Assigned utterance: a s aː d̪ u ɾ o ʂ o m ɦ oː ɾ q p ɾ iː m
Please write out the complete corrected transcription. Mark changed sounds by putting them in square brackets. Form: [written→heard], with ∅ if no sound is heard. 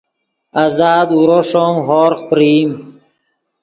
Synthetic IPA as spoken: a [s→z] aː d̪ u ɾ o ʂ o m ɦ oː ɾ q p ɾ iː m